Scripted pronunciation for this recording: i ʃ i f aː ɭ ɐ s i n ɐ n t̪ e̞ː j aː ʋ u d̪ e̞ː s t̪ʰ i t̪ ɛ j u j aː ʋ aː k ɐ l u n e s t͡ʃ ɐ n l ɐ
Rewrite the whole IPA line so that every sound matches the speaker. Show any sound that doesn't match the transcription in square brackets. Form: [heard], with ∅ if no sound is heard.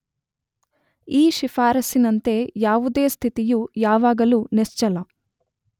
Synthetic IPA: [iː] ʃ i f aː [ɾ] ɐ s i n ɐ n t̪ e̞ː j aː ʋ u d̪ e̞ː s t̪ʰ i t̪ [i] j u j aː ʋ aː [ɡ] ɐ l u n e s t͡ʃ ɐ [∅] l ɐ